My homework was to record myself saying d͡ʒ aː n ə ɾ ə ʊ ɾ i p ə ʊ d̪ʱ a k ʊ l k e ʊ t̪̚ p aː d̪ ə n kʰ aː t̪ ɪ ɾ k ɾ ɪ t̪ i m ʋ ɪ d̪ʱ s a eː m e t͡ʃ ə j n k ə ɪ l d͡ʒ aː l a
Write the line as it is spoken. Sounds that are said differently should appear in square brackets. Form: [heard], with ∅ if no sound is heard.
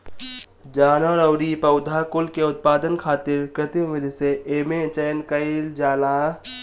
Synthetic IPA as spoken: d͡ʒ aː n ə ɾ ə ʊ ɾ i p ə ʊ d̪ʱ a k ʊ l k e ʊ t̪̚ p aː d̪ ə n kʰ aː t̪ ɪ ɾ k ɾ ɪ t̪ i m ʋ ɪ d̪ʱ s [e] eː m e t͡ʃ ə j n k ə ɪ l d͡ʒ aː l a